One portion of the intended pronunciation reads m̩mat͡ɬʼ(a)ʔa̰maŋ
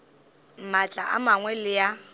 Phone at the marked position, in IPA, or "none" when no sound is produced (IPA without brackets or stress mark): a